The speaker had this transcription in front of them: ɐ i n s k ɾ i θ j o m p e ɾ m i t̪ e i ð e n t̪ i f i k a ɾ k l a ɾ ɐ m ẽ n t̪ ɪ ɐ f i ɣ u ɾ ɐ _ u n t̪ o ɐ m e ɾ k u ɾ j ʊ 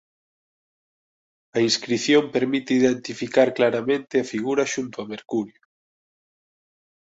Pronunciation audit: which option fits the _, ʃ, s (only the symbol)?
ʃ